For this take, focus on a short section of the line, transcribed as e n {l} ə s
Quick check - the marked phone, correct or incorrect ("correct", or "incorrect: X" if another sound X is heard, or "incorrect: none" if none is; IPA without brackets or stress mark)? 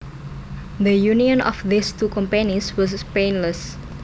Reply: correct